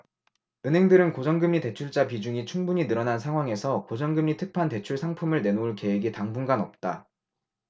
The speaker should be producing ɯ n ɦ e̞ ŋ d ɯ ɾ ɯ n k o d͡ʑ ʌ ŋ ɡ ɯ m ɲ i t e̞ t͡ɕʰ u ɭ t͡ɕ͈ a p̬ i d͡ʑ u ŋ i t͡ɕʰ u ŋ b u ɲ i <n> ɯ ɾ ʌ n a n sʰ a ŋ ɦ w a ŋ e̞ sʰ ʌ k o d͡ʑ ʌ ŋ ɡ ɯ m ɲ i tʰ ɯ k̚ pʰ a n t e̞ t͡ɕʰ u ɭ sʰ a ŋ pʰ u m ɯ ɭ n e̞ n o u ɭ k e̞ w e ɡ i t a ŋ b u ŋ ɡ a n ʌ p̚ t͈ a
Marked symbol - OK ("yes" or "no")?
yes